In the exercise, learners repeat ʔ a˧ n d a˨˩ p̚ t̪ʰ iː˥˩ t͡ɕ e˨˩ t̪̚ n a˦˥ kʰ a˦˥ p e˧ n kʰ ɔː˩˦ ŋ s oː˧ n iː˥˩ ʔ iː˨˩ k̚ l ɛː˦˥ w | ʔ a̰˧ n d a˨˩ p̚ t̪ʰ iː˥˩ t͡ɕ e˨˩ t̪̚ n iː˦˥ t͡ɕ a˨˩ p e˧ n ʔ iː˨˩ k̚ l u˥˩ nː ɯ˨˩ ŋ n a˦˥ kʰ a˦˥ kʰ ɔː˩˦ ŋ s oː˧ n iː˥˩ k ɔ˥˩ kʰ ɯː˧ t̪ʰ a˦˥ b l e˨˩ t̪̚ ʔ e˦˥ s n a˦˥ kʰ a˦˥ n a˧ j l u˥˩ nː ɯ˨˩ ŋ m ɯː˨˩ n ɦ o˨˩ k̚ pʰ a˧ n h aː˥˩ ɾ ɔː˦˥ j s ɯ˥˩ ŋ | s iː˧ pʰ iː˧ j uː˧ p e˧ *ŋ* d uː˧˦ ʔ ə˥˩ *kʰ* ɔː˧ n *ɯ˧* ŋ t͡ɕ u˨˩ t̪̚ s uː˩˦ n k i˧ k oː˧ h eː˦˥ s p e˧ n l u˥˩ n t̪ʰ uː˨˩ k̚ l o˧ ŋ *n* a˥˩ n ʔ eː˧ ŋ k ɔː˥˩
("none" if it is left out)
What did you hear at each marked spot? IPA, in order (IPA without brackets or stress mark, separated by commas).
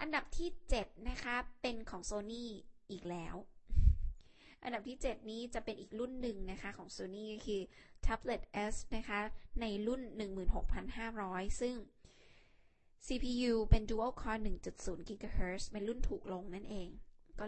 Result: n, kʰ, ɯ˨˩, n